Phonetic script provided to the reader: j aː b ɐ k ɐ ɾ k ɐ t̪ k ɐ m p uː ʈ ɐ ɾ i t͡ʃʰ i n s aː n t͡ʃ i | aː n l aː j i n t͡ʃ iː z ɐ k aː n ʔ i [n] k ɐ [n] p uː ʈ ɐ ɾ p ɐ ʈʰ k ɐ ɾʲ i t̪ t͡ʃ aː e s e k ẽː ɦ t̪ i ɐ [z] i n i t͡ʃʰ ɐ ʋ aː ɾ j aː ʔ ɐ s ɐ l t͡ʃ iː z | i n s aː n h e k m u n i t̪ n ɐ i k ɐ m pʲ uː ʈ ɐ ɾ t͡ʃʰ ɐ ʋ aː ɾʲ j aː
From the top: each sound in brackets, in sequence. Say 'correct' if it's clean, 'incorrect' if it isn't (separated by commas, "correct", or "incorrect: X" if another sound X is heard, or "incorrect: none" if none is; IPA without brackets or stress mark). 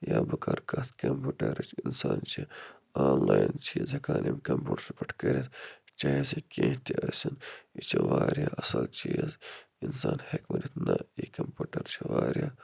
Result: incorrect: m, incorrect: m, incorrect: s